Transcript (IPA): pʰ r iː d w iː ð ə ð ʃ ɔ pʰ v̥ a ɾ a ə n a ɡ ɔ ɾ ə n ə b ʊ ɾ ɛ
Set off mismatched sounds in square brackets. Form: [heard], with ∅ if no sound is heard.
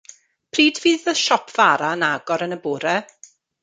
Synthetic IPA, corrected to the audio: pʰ r iː d [v] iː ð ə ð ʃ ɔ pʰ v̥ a ɾ a ə n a ɡ ɔ ɾ ə n ə b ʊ ɾ ɛ